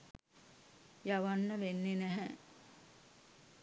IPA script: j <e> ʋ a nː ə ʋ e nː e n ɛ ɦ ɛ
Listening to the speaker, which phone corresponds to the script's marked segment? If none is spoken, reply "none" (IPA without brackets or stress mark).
a